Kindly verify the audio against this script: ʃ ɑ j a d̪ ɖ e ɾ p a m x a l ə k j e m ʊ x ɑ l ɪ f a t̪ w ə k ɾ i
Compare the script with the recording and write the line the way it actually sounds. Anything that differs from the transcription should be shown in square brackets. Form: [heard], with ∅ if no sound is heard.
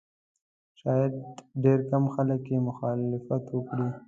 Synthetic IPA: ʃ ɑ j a d̪ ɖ e ɾ [k] a m x a l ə k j e m ʊ x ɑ l ɪ f a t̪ w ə k [ɽ] i